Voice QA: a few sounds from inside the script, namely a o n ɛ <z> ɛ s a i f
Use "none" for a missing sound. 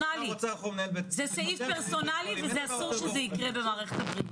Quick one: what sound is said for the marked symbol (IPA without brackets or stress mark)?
z